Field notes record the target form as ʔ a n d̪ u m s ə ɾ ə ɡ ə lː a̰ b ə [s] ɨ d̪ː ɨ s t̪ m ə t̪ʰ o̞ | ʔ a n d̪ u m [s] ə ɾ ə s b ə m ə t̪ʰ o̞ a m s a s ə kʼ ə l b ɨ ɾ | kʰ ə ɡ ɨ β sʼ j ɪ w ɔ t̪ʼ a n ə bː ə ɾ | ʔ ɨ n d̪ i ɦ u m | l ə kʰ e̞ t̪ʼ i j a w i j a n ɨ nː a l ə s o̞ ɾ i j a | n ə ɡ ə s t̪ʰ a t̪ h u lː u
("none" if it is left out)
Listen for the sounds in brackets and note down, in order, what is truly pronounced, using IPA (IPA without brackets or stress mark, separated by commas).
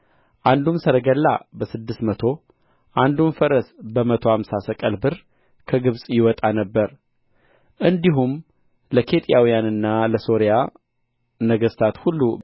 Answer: s, f